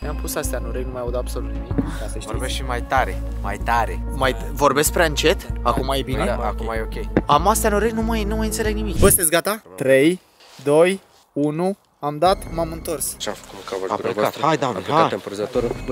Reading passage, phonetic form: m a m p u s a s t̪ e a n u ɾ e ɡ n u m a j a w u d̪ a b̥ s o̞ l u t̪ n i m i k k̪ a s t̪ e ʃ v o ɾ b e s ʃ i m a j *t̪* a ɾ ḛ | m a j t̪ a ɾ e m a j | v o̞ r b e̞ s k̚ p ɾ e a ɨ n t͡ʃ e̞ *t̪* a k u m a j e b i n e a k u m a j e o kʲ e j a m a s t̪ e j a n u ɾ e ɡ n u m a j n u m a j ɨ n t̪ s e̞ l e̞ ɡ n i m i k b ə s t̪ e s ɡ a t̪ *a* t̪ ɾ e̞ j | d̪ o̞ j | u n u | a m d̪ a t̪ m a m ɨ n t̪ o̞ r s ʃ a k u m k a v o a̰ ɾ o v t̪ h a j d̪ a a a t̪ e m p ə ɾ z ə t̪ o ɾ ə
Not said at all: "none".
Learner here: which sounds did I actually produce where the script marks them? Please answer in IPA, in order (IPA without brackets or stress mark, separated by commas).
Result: t̪, t̪, a